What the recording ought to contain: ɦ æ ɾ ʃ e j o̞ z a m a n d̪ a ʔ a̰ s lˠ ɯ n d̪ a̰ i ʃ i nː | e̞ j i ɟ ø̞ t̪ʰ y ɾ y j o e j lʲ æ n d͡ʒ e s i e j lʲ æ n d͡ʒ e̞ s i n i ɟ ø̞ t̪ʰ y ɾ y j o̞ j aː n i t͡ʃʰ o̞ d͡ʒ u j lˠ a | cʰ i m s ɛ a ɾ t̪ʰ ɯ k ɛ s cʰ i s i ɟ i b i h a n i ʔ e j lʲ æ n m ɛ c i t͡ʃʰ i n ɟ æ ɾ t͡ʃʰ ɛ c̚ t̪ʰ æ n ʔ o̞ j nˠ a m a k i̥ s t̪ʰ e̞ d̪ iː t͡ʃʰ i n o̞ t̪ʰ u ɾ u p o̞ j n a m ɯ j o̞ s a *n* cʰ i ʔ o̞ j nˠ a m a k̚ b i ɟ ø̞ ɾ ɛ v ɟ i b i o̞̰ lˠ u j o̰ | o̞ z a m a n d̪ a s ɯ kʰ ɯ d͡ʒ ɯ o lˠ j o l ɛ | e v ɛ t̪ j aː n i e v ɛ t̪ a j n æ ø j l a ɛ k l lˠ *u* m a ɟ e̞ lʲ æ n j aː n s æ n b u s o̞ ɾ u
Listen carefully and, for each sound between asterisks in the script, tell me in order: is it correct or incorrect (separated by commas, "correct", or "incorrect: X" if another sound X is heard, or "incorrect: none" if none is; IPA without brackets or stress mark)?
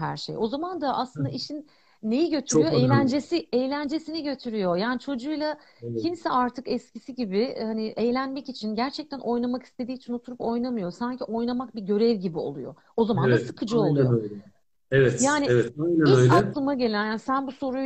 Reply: incorrect: ɲ, incorrect: ɯ